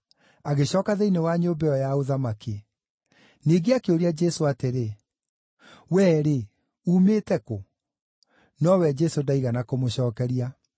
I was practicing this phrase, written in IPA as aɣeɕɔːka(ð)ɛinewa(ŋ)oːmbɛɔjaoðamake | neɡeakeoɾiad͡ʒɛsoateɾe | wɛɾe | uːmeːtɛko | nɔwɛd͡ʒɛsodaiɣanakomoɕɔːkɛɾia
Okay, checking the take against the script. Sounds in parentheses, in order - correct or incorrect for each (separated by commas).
correct, incorrect